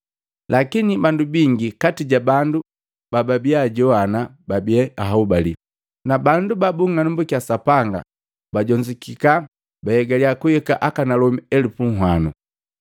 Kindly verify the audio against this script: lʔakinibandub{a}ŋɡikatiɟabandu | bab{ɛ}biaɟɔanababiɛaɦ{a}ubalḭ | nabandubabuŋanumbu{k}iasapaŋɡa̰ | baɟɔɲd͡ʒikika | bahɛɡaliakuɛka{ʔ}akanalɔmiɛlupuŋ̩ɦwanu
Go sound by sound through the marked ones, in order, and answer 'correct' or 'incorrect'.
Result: incorrect: i, incorrect: a, correct, correct, correct

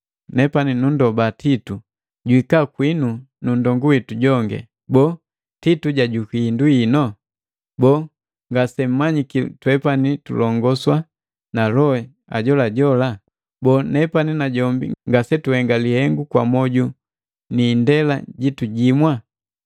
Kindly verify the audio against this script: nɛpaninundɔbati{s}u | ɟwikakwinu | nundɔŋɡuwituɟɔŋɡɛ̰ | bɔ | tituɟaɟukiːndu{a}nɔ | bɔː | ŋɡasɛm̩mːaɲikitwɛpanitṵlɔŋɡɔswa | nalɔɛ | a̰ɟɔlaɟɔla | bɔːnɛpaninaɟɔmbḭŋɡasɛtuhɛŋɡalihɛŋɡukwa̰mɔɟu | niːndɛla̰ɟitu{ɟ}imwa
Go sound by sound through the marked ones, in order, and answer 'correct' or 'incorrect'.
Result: incorrect: t, incorrect: i, correct

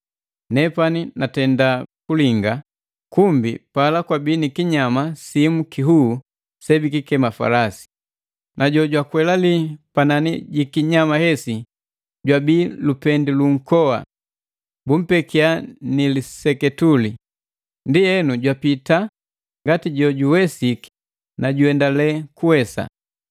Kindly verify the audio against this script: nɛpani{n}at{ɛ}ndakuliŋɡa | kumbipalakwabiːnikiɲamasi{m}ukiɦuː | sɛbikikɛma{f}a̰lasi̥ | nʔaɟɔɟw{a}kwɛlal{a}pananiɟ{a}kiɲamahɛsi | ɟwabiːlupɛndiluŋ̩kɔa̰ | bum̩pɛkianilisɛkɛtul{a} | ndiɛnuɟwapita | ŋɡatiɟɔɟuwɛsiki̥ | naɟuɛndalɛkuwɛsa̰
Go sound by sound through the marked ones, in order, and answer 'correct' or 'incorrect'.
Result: correct, correct, correct, correct, correct, incorrect: i, incorrect: i, incorrect: i

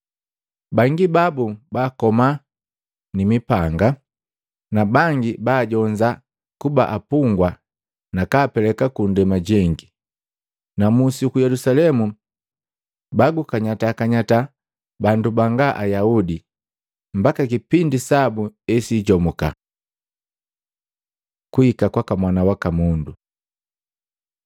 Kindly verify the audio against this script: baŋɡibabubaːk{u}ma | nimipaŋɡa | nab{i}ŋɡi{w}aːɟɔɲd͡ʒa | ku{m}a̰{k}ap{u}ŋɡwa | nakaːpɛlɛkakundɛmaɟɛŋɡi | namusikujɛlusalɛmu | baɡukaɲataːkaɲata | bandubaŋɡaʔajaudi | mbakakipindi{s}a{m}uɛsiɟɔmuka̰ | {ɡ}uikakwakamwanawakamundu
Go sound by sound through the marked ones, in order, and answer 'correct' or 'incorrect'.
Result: incorrect: ɔ, incorrect: a, incorrect: b, incorrect: b, incorrect: ʔ, correct, correct, incorrect: b, incorrect: k

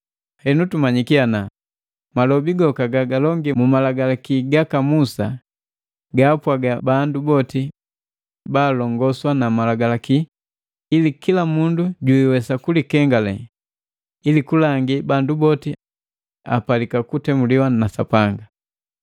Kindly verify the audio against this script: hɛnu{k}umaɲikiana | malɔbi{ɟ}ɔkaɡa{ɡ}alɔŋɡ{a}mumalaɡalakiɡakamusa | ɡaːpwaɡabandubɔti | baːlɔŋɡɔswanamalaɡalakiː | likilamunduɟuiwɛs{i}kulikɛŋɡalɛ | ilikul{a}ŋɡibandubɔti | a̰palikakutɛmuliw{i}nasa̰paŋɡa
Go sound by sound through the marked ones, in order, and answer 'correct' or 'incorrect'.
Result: incorrect: t, incorrect: ɡ, correct, incorrect: i, incorrect: a, correct, incorrect: a

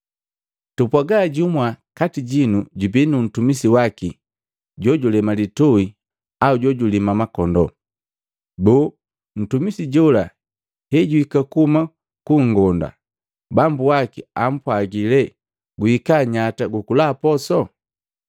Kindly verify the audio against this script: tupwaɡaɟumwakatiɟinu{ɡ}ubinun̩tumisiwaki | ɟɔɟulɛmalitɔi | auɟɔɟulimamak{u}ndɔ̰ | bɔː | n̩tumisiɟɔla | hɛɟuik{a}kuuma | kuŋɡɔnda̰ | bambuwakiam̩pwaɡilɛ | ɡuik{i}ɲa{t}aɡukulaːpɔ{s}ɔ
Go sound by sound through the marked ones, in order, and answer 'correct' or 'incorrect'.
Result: incorrect: ɟ, incorrect: ɔ, correct, incorrect: a, correct, correct

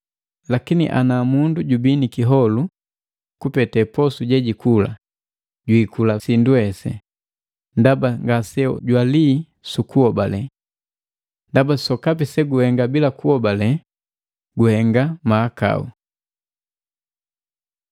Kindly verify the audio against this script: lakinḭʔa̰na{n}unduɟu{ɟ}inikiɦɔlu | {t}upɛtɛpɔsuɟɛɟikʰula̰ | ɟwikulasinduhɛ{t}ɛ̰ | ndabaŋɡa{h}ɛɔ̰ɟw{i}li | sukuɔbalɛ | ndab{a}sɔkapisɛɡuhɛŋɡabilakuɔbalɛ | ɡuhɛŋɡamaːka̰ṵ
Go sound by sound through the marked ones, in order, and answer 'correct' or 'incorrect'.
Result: incorrect: m, incorrect: b, incorrect: k, incorrect: s, incorrect: s, incorrect: a, correct

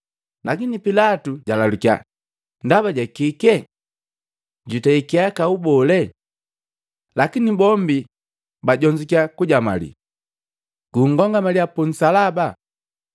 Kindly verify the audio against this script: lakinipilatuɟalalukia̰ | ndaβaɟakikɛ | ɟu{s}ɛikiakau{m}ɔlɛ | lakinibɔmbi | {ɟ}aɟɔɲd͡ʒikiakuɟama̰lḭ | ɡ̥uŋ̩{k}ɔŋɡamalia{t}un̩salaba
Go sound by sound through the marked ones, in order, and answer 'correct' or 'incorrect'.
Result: incorrect: t, incorrect: b, incorrect: b, incorrect: ɡ, incorrect: p

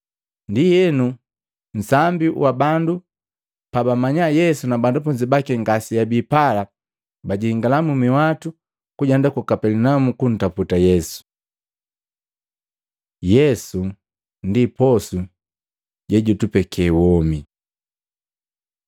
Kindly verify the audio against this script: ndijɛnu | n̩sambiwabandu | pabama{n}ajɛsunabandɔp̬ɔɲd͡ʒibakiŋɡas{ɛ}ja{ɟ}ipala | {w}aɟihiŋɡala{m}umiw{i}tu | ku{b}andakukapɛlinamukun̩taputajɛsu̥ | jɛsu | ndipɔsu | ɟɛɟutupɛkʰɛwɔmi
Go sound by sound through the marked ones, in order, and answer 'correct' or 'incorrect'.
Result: incorrect: ɲ, incorrect: i, incorrect: b, incorrect: b, correct, incorrect: a, incorrect: ɟ

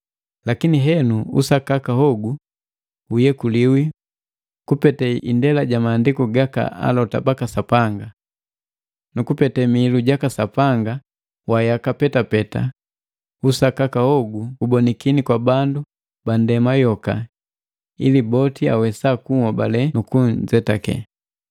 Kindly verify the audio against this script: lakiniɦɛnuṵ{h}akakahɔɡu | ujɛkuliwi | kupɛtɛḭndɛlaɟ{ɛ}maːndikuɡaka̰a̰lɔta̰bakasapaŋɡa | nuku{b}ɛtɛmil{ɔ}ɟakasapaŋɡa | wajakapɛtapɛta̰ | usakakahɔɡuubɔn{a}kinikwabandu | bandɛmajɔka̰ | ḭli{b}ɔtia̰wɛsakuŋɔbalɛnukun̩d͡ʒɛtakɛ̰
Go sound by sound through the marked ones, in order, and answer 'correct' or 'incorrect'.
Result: incorrect: s, incorrect: a, incorrect: p, incorrect: u, incorrect: i, correct

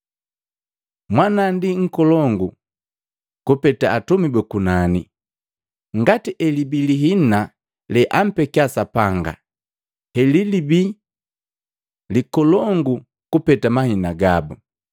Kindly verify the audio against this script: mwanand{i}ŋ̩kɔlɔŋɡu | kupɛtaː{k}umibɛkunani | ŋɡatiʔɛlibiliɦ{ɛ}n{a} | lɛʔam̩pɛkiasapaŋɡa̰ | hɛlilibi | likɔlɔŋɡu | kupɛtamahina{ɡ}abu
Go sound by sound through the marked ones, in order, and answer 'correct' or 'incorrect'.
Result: correct, incorrect: t, incorrect: i, correct, correct

